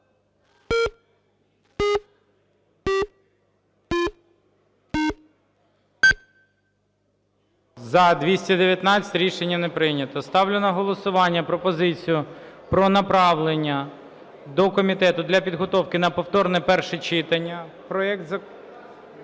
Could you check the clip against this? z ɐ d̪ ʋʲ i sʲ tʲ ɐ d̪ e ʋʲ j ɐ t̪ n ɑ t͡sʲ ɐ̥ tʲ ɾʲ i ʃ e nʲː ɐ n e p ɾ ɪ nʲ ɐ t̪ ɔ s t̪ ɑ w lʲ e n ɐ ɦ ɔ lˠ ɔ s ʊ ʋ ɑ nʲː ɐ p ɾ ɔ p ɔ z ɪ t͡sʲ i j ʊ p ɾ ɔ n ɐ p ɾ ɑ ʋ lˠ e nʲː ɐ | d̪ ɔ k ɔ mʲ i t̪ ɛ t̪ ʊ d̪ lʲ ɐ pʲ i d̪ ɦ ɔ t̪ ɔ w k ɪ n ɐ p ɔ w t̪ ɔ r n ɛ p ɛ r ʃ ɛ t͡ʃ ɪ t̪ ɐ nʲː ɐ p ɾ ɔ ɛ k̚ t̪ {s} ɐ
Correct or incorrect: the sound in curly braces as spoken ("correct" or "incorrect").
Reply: incorrect